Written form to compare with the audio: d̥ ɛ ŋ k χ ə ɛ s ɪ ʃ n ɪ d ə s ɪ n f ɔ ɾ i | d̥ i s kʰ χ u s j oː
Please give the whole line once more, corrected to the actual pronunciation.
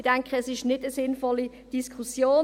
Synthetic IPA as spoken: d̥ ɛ ŋ k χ ə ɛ s ɪ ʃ n ɪ d ə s ɪ n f ɔ l i | d̥ i s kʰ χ u s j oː